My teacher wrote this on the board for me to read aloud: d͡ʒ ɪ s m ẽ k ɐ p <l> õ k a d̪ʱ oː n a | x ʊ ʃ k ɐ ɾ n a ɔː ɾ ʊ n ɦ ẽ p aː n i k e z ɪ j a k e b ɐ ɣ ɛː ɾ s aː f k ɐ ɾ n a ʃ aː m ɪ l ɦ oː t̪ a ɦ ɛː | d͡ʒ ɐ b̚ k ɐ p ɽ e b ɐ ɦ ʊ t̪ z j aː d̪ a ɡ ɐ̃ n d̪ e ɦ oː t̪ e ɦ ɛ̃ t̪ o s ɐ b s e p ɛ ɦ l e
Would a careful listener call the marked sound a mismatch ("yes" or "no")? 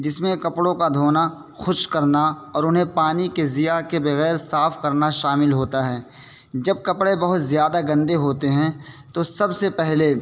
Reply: yes